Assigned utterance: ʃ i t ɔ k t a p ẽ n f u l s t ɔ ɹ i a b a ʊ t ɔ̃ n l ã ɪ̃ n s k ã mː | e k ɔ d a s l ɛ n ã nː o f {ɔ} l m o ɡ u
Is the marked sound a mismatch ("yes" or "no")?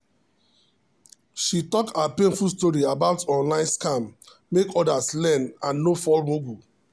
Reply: no